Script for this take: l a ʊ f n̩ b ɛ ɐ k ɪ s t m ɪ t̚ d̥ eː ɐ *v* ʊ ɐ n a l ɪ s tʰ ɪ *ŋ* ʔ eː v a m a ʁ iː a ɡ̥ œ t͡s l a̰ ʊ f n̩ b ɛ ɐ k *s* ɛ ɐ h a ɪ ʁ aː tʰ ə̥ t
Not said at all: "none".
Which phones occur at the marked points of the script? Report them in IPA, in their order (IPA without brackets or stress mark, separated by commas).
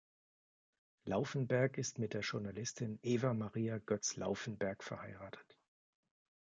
ʒ, n, f